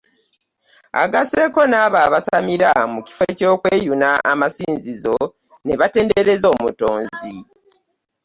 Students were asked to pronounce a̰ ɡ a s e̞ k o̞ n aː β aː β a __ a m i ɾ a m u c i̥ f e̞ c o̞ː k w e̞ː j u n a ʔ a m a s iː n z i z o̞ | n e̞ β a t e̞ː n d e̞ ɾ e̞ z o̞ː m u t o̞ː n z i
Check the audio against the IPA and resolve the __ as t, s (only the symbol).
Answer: s